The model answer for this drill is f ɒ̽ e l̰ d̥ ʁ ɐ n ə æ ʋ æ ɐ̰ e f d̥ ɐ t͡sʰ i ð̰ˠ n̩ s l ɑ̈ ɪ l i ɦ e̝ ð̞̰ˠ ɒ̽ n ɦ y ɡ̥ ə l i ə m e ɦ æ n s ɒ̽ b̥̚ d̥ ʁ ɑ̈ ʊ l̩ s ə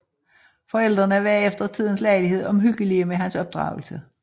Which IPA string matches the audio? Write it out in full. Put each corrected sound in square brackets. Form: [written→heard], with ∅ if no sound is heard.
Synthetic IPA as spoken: f ɒ̽ e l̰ d̥ ʁ ɐ n ə æ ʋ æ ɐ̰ e f d̥ ɐ t͡sʰ i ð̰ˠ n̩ s l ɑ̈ ɪ l i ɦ e̝ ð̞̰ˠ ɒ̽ [n→m] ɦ y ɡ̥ ə l i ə m e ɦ æ n s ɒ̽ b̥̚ d̥ ʁ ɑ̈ ʊ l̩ s ə